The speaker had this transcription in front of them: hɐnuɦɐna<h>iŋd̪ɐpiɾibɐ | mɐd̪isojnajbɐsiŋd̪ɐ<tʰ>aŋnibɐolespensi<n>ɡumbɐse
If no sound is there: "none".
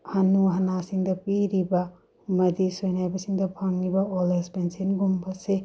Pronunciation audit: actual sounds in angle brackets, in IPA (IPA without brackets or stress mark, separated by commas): s, pʰ, n